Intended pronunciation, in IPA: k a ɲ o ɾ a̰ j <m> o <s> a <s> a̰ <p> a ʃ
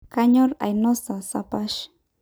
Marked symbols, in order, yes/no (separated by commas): no, yes, yes, yes